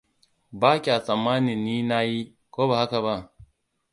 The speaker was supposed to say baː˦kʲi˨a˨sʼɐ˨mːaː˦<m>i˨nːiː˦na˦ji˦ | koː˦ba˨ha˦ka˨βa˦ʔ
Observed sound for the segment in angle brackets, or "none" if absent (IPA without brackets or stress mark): n